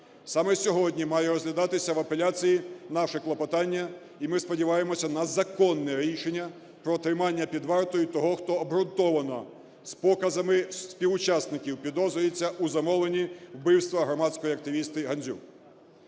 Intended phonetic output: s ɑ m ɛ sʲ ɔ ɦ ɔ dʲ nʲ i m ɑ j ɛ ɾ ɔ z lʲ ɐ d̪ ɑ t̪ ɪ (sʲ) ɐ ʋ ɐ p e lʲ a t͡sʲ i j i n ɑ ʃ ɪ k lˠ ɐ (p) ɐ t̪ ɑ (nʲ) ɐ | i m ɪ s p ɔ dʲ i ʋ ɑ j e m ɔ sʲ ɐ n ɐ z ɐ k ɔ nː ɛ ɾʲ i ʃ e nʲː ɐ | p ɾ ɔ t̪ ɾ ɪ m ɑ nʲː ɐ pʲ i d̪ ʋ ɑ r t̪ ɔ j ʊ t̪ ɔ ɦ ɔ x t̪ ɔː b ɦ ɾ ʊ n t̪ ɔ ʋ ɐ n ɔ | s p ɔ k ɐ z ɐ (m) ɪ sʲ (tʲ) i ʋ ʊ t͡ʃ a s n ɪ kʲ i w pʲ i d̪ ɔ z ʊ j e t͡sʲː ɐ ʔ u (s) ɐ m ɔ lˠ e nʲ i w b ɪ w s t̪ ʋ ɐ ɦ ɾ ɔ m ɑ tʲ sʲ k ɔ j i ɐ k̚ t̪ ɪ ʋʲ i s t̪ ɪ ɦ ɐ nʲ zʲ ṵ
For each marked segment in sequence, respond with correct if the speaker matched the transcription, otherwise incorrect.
correct, correct, incorrect: nʲː, correct, incorrect: pʲ, incorrect: z

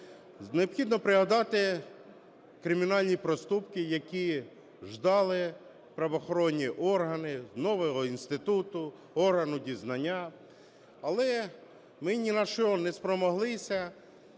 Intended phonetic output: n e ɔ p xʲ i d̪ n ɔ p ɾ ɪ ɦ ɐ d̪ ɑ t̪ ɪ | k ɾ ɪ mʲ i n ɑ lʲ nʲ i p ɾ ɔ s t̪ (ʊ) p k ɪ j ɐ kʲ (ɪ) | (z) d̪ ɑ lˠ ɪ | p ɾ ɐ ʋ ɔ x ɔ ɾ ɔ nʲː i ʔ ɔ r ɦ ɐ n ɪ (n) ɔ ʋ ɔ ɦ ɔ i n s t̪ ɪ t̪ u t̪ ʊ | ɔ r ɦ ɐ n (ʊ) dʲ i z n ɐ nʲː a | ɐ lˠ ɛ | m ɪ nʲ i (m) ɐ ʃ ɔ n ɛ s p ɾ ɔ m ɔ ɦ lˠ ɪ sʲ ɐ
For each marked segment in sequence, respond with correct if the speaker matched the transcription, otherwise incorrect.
incorrect: u, incorrect: i, incorrect: ʒ, correct, correct, incorrect: n

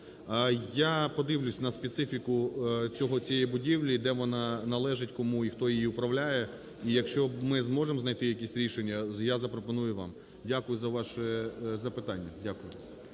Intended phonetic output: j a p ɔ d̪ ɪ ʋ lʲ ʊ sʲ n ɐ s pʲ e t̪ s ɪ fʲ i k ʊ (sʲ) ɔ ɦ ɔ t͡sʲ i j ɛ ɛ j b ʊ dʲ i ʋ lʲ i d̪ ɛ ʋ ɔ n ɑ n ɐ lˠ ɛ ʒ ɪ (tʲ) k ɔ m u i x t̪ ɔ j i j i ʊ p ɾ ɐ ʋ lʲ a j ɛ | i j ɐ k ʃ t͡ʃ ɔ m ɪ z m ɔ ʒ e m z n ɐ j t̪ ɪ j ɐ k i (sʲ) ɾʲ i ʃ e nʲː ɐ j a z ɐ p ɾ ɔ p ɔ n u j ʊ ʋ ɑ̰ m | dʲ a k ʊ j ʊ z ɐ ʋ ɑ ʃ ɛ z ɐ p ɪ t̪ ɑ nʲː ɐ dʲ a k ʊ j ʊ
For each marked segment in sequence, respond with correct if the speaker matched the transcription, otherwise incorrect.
incorrect: t͡sʲ, correct, correct

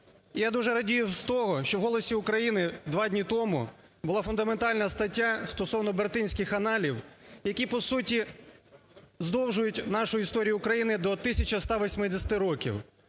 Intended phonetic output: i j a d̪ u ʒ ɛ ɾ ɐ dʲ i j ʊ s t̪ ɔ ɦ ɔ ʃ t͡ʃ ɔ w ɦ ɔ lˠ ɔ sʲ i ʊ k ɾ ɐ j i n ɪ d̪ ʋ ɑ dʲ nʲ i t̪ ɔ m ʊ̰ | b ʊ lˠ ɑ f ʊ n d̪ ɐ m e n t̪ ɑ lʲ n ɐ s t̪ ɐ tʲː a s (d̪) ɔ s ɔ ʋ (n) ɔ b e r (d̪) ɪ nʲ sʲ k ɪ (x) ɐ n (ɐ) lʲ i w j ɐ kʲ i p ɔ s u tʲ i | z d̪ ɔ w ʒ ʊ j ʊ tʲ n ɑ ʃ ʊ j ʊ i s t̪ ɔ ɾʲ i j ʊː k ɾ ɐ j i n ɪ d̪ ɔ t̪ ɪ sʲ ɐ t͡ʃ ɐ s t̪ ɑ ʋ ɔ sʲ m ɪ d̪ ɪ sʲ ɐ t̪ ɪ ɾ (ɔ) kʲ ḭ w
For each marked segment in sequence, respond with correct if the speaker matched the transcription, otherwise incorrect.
incorrect: t̪, correct, incorrect: t̪, correct, incorrect: ɑ, correct

